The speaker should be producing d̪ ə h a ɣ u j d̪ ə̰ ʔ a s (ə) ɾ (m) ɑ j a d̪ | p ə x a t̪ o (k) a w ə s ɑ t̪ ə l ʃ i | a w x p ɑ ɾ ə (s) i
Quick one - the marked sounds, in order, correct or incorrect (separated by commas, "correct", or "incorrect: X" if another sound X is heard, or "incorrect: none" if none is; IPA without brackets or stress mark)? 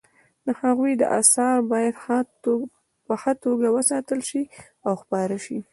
incorrect: ɑ, incorrect: b, incorrect: ɡ, incorrect: ʃ